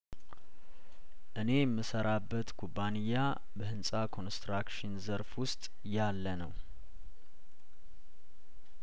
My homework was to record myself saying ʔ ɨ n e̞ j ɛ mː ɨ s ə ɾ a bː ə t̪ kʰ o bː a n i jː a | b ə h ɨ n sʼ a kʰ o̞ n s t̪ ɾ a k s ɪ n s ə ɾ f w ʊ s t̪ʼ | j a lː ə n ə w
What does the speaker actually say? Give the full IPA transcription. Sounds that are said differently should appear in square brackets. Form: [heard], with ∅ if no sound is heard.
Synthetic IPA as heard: ʔ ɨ n e̞ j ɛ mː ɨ s ə ɾ a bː ə t̪ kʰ [u] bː a n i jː a | b ə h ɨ n sʼ a kʰ o̞ n s t̪ ɾ a k [ʃ] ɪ n [z] ə ɾ f w ʊ s t̪ʼ | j a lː ə n ə w